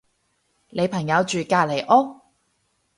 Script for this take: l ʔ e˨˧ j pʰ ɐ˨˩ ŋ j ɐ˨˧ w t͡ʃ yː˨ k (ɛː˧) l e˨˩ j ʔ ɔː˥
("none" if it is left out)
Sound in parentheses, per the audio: aː˧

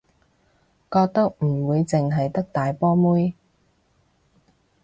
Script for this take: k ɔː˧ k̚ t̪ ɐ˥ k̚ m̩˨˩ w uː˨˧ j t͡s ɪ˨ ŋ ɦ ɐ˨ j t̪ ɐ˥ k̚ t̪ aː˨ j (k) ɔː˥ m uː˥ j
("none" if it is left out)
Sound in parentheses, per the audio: p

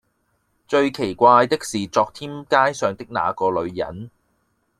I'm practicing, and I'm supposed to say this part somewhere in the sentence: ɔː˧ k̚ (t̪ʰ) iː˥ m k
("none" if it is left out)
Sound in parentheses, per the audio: t̪ʰ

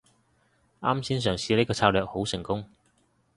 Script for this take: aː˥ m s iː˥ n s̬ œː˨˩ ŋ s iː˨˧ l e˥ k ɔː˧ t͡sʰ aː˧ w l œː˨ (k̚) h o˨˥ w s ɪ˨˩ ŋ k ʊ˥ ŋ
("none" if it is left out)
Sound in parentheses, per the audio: k̚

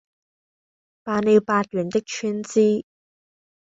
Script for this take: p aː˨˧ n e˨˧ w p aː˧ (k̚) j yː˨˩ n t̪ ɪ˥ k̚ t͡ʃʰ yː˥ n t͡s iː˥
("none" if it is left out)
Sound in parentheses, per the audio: t̚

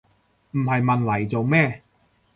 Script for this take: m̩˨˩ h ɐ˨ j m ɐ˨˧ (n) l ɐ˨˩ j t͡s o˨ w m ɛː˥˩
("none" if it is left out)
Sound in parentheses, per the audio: n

